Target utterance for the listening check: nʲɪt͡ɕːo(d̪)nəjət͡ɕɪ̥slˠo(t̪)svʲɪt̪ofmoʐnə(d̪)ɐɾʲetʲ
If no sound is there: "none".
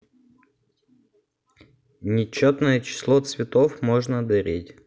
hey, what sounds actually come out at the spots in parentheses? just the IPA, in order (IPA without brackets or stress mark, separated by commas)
t̪, t̪, d̪